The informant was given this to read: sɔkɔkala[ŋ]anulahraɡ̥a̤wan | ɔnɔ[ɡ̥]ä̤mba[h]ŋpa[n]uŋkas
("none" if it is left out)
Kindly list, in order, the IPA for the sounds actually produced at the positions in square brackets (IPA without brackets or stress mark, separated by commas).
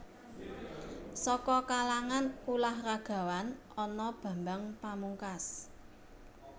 ŋ, b̥, none, m